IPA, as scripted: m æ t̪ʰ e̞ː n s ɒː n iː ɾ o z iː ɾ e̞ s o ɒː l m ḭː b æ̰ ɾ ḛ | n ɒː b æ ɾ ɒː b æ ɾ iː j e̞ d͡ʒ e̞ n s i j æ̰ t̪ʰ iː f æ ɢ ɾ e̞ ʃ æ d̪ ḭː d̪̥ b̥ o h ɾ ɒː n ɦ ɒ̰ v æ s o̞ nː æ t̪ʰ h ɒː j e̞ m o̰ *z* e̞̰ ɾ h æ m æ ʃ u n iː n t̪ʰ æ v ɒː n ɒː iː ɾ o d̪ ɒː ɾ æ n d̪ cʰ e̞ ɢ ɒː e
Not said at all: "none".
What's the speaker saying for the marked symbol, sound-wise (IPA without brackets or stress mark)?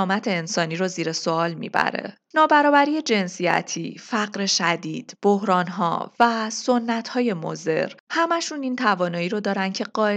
z